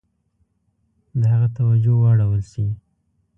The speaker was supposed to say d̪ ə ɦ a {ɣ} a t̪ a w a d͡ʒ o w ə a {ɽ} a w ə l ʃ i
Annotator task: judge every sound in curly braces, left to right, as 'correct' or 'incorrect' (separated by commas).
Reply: correct, correct